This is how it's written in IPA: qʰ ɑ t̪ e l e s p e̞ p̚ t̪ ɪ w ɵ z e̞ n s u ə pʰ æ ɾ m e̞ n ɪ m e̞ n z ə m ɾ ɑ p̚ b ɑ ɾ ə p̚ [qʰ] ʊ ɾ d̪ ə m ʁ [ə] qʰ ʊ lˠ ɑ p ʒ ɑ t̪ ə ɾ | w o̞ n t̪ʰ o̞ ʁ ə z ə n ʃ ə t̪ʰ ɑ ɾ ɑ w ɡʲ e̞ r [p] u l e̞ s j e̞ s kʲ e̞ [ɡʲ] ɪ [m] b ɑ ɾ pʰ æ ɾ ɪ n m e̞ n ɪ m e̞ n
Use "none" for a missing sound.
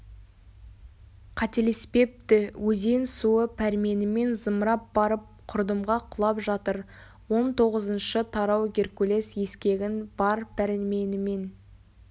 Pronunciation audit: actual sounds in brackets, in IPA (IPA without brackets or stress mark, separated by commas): qʰ, ɑ, k, ɡʲ, n